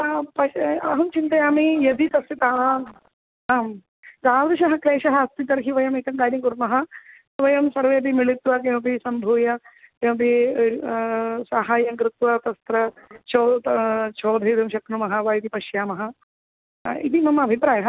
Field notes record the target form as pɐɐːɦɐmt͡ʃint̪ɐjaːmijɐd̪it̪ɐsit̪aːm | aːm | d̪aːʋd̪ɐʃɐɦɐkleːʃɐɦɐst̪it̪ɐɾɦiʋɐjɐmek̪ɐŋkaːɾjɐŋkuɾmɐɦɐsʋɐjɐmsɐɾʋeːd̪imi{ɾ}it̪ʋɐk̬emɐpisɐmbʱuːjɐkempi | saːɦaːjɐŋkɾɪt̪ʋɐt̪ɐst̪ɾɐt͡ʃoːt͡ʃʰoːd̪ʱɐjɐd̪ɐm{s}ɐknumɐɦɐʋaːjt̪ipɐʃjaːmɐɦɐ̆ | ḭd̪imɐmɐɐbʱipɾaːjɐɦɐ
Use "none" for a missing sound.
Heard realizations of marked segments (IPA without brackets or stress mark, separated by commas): ɭ, ʃ